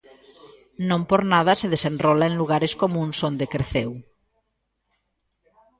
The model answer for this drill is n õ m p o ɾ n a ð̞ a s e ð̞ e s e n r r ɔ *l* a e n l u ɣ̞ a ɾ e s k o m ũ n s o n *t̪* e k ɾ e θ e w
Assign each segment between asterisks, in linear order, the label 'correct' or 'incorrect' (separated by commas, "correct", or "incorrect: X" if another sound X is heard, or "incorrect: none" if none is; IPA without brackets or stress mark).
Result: correct, incorrect: d̪